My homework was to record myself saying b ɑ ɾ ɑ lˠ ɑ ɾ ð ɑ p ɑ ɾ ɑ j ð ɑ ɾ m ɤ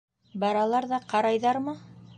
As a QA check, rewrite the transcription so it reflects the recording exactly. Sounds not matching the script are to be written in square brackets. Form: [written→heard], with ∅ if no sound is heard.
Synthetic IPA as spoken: b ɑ ɾ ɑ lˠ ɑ ɾ ð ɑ [p→q] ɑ ɾ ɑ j ð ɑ ɾ m ɤ